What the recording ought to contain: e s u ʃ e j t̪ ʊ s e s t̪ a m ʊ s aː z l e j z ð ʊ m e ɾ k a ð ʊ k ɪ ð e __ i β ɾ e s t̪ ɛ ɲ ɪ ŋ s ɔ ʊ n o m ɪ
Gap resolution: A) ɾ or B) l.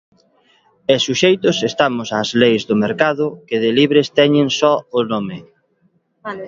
B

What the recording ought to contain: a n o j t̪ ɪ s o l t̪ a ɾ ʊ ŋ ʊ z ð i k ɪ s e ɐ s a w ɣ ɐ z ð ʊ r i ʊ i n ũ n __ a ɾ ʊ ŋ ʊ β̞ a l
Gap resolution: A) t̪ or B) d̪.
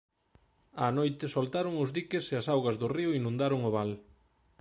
B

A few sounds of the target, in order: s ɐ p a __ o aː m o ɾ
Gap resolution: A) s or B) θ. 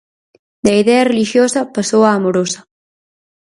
A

